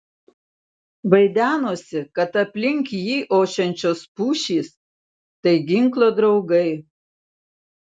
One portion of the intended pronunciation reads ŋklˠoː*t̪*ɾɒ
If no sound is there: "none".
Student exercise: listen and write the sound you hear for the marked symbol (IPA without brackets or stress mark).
d̪